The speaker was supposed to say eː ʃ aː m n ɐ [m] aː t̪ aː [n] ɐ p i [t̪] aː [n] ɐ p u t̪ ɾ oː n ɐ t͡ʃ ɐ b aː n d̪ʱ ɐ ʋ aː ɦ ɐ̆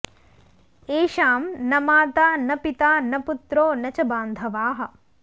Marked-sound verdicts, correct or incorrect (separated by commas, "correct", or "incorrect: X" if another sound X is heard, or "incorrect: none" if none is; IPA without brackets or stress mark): correct, correct, correct, correct